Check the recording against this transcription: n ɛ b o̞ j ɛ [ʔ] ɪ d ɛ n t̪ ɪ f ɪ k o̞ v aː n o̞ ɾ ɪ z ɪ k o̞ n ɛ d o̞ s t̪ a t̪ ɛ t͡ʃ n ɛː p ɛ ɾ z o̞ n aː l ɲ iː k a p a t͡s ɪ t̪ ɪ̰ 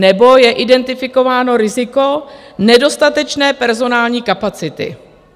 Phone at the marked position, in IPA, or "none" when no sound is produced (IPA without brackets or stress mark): ʔ